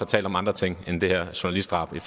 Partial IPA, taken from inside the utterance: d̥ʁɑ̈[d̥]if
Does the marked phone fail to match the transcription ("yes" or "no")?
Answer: yes